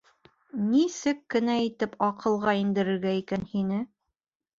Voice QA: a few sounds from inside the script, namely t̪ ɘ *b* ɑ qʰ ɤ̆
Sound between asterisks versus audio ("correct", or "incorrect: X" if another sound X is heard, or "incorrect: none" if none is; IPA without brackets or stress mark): incorrect: p